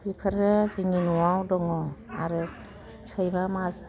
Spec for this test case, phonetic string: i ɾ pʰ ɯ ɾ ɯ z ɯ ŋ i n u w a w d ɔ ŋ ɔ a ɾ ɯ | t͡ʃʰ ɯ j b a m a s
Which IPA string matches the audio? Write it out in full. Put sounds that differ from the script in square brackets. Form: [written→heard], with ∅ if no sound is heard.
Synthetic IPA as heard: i [ɾ→∅] pʰ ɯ ɾ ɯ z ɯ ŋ i n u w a w d ɔ ŋ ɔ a ɾ ɯ | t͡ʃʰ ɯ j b a m a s

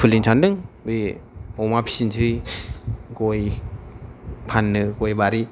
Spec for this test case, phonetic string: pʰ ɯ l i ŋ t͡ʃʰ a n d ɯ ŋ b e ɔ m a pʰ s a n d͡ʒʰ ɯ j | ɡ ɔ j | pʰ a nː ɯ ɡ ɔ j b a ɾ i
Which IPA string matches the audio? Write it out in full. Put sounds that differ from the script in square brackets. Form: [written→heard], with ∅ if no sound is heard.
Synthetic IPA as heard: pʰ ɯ l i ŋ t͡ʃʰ a n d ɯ ŋ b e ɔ m a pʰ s [a→i] n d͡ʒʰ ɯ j | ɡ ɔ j | pʰ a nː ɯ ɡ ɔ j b a ɾ i

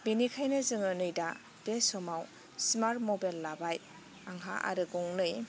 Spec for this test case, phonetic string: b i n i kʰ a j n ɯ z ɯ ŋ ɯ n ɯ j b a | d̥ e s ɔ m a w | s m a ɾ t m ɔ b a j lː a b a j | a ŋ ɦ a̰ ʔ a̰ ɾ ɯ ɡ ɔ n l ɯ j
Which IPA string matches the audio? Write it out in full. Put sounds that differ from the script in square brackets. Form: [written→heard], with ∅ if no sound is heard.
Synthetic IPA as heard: b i n i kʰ a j n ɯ z ɯ ŋ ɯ n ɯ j [b→d] a | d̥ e s ɔ m a w | s m a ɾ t m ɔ b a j lː a b a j | a ŋ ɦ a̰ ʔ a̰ ɾ ɯ ɡ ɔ [n→ŋ] l ɯ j

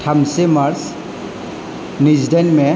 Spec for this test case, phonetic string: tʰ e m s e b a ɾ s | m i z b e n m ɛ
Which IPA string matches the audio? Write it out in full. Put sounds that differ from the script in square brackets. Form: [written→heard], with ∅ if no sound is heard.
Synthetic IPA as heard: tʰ [e→a] m s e [b→m] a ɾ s | [m→n] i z [b→d] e n m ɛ

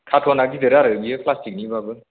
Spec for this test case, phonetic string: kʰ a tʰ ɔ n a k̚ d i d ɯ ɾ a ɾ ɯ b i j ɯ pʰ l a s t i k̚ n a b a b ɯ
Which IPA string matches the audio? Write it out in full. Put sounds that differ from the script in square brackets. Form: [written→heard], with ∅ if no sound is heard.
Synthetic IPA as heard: kʰ a tʰ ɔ n a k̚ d i d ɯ ɾ a ɾ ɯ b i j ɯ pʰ l a s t i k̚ n [a→i] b a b ɯ

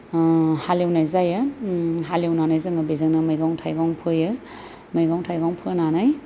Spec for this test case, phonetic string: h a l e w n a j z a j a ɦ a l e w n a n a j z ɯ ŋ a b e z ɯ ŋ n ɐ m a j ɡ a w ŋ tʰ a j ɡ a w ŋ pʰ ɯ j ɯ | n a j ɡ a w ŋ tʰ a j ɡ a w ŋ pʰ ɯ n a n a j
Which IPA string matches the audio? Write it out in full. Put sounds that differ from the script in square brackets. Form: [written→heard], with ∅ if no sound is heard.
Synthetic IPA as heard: h a l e w n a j z a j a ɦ a l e w n a n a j z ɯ ŋ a b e z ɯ ŋ n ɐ m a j ɡ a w ŋ tʰ a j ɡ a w ŋ pʰ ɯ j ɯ | [n→m] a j ɡ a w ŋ tʰ a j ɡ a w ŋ pʰ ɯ n a n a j

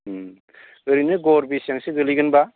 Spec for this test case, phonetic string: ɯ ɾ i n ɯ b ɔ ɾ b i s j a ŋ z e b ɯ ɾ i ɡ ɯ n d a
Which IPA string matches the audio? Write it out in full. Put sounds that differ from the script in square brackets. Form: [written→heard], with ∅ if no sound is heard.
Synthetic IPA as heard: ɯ ɾ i n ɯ [b→ɡ] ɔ ɾ b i s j a ŋ [z→s] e [b→ɡ] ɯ [ɾ→l] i ɡ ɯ n [d→b] a

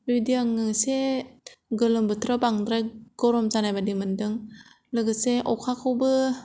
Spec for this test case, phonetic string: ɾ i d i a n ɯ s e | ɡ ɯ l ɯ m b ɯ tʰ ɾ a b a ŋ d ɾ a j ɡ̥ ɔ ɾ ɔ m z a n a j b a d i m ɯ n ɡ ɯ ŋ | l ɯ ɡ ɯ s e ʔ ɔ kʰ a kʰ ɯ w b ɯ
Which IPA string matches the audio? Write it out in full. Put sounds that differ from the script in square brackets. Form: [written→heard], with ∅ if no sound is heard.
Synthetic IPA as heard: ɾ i d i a [n→ŋ] ɯ s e | ɡ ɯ l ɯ m b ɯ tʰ ɾ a b a ŋ d ɾ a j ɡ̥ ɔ ɾ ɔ m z a n a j b a d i m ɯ n [ɡ→d] ɯ ŋ | l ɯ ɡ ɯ s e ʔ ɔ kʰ a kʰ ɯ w b ɯ

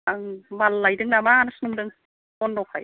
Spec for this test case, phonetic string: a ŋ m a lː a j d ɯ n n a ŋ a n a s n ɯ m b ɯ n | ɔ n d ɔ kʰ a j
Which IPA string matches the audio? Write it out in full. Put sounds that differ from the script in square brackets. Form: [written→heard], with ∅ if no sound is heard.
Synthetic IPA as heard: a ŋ m a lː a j d ɯ [n→ŋ] n a [ŋ→m] a n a s n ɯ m [b→d] ɯ [n→ŋ] | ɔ n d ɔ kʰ a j

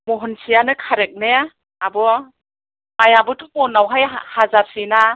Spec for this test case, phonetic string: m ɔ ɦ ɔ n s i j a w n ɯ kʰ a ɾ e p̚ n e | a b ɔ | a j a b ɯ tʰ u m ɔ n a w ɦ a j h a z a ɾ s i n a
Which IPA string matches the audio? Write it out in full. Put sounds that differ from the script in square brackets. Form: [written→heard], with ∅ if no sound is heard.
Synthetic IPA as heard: m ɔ ɦ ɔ n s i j a [w→∅] n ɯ kʰ a ɾ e [p̚→k̚] n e | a b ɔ | a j a b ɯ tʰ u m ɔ n a w ɦ a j h a z a ɾ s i n a

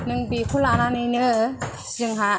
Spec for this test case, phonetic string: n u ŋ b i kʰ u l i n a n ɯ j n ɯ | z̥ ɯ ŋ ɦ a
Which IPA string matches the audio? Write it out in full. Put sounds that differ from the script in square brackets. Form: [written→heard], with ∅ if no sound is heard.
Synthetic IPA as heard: n [u→ɯ] ŋ b i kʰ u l [i→a] n a n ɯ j n ɯ | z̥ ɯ ŋ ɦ a

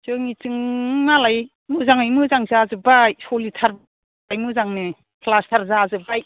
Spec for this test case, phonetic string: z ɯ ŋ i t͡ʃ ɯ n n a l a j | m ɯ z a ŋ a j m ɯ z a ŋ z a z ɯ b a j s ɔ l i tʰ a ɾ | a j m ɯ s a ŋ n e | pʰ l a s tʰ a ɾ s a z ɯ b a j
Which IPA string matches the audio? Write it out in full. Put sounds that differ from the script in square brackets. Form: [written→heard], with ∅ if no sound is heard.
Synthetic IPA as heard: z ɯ ŋ i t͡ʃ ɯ [n→ŋ] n a l a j | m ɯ z a ŋ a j m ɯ z a ŋ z a z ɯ b a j s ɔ l i tʰ a ɾ | a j m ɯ [s→z] a ŋ n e | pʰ l a s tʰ a ɾ [s→z] a z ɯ b a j

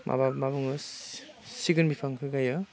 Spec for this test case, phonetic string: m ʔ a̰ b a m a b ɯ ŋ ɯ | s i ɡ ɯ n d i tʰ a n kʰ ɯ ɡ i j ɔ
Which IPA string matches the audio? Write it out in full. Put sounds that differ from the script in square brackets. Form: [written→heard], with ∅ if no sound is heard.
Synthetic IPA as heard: m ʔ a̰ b a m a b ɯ ŋ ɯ | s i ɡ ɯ n [d→b] i [tʰ→pʰ] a [n→ŋ] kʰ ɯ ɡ [i→a] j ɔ

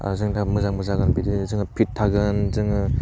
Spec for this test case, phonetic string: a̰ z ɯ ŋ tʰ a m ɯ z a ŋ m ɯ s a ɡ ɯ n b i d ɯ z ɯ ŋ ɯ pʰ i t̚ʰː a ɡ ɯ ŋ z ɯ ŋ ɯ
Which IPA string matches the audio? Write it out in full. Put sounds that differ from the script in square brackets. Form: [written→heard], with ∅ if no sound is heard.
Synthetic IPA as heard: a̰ z ɯ ŋ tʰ a m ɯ z a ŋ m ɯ [s→z] a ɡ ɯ n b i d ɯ z ɯ ŋ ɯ pʰ i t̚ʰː a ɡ ɯ [ŋ→n] z ɯ ŋ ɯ

